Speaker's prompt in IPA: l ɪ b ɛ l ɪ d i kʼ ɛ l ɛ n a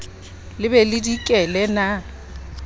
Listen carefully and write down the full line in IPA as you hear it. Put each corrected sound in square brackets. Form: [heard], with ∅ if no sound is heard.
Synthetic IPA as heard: l ɪ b ɛ l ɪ d i kʼ ɛ l ɛ n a